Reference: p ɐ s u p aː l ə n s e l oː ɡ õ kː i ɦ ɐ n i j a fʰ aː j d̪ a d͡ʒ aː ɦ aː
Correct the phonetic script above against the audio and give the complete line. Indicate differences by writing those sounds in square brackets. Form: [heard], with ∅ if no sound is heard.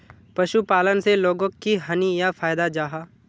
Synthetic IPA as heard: p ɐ [ʃ] u p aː l ə n s e l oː ɡ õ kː i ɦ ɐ n i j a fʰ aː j d̪ a d͡ʒ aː ɦ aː